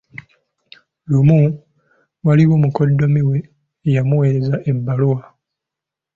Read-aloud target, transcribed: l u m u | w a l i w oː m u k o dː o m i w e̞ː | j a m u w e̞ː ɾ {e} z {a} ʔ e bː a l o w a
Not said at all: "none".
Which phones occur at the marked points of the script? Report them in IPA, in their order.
e, a

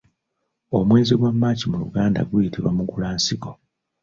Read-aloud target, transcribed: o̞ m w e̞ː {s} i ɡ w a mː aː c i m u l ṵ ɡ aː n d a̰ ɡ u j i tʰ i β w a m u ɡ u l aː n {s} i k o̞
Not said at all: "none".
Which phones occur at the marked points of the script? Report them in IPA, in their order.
z, s

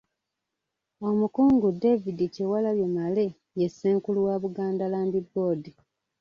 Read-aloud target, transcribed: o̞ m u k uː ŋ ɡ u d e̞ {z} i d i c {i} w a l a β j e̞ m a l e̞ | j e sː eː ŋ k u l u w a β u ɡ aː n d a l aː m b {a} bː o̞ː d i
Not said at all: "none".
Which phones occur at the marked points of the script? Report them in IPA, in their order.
v, e, i

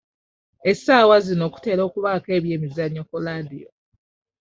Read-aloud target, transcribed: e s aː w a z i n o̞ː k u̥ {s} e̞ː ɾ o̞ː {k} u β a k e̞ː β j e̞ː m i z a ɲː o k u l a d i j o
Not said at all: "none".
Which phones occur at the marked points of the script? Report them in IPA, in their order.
t, k

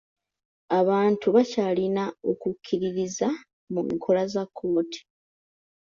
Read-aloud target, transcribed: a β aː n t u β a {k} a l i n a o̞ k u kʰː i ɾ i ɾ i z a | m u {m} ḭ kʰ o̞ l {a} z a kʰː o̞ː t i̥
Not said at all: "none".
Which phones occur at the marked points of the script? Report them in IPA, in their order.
c, m, a

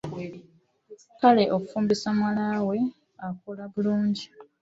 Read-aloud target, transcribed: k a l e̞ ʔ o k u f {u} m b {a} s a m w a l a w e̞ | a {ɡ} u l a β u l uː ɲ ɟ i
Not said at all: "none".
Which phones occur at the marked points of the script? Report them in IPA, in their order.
uː, i, k

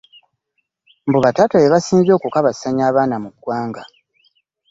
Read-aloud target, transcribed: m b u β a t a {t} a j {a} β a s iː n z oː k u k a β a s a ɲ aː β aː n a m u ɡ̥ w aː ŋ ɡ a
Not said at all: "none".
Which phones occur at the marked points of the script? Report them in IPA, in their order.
t, e

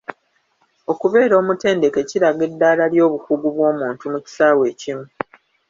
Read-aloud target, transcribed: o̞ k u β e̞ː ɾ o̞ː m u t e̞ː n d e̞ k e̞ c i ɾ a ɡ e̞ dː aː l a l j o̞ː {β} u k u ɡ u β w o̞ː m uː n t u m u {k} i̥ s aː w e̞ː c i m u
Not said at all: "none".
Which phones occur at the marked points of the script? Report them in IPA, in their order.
β, c

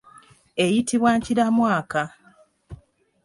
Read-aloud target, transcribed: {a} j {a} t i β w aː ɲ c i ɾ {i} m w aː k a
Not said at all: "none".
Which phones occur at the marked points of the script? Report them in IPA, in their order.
e, i, a

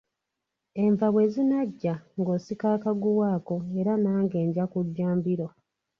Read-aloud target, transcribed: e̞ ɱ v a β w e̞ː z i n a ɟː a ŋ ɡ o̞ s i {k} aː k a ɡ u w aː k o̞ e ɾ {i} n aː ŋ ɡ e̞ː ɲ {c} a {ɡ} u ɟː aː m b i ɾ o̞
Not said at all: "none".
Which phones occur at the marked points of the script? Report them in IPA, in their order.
k, a, ɟ, k

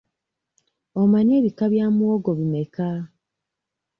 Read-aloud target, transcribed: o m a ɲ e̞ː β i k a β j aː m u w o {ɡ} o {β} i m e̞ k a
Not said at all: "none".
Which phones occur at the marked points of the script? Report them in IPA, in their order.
ɡ, β

